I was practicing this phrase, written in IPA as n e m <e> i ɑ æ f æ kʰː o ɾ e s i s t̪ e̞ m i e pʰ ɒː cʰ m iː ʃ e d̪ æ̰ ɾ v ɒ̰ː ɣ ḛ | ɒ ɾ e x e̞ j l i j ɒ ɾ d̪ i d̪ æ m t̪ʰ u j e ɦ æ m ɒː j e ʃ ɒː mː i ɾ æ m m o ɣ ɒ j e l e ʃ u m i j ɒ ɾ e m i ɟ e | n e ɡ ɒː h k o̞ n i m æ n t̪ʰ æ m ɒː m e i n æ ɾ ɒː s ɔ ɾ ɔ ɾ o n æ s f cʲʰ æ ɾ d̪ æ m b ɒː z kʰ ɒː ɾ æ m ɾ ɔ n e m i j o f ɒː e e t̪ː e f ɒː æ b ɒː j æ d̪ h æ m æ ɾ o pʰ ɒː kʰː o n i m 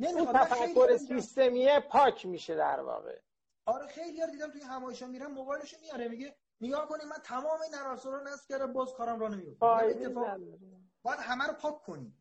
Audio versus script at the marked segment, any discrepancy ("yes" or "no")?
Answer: yes